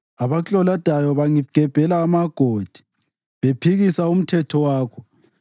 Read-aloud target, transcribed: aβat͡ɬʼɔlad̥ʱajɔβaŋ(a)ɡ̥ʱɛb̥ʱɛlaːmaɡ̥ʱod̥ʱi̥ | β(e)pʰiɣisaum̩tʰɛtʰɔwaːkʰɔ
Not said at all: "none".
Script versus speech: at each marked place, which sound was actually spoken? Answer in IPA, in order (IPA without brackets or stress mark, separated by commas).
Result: i, e